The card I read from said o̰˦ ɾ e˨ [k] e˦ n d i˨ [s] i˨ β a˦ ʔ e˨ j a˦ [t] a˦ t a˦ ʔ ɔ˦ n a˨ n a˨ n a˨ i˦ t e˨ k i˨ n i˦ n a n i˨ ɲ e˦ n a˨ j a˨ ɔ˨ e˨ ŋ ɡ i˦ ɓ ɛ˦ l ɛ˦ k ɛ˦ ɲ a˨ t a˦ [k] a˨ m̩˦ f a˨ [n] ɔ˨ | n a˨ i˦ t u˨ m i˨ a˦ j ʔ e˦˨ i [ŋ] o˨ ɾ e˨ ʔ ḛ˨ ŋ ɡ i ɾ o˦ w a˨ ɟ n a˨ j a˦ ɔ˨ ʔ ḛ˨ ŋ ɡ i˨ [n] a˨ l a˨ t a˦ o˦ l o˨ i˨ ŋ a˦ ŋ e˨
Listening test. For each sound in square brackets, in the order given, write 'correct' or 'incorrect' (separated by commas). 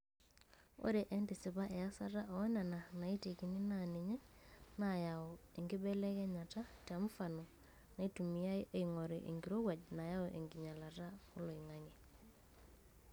incorrect, correct, incorrect, incorrect, correct, correct, incorrect